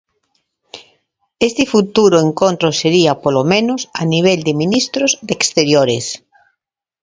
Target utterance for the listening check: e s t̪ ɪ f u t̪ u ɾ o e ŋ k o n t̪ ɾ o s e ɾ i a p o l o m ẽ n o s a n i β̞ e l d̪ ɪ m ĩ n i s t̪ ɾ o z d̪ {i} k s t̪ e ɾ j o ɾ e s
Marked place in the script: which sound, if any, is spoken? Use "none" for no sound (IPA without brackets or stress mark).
e